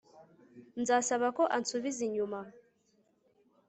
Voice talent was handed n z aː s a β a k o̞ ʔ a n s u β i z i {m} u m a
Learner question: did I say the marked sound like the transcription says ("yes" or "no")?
no